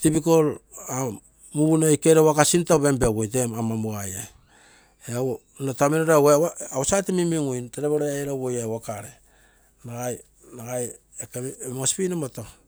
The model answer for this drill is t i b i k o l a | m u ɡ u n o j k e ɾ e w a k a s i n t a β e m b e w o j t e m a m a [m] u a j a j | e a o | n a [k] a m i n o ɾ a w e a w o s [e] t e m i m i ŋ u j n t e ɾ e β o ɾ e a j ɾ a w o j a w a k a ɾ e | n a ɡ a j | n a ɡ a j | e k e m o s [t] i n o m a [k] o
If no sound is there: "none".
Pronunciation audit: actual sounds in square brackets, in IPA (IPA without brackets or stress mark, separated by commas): m, t, a, p, t